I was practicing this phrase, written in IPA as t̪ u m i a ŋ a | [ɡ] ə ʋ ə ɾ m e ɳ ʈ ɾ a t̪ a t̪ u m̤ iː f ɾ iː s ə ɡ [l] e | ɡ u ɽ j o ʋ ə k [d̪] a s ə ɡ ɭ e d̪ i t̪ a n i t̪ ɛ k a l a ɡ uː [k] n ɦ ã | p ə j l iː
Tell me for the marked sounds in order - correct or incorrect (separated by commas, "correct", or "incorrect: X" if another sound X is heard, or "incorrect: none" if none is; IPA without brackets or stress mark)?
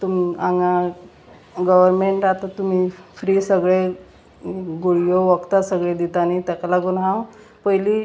correct, incorrect: ɭ, incorrect: t̪, incorrect: none